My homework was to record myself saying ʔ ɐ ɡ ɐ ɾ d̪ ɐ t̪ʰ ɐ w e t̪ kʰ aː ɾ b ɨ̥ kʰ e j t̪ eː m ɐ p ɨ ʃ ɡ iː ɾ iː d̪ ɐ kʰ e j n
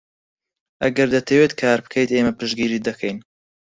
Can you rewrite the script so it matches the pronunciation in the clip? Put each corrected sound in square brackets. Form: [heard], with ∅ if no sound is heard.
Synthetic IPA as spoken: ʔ ɐ ɡ ɐ ɾ d̪ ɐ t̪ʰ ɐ w e t̪ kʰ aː ɾ b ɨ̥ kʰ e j t̪ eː m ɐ p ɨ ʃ ɡ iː ɾ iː d̪ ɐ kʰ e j n